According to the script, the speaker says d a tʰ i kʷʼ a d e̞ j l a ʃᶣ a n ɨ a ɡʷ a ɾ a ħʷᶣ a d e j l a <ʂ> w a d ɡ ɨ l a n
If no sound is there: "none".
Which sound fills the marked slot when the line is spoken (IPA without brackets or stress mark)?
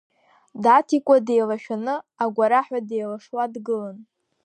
ʂ